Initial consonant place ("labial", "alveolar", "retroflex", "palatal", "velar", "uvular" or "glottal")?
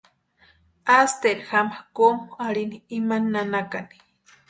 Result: alveolar